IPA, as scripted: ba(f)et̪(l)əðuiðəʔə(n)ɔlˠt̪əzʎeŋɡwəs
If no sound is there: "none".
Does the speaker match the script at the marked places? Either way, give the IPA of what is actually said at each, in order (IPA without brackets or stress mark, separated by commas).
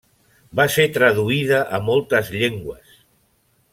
s, ɾ, m